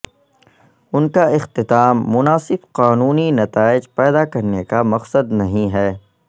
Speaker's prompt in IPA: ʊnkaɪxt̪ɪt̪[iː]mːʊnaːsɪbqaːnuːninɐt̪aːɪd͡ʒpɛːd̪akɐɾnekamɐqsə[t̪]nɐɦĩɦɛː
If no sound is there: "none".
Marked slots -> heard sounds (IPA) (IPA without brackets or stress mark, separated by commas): aː, d̪